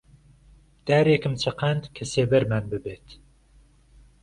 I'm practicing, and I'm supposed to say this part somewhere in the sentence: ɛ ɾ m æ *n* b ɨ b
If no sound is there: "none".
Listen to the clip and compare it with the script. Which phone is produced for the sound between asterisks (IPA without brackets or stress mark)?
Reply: n